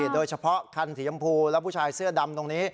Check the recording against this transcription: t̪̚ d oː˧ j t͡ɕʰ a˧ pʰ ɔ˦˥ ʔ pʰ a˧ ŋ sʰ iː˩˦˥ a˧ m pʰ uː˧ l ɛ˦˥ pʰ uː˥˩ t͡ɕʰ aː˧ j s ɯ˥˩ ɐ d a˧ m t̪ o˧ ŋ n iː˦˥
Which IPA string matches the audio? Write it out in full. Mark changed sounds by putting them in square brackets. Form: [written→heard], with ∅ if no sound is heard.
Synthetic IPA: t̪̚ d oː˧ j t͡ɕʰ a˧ pʰ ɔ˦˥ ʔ [pʰ→kʰ] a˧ [ŋ→n] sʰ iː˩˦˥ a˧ m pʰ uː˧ l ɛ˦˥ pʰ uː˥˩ t͡ɕʰ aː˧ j s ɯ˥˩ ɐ d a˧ m t̪ o˧ ŋ n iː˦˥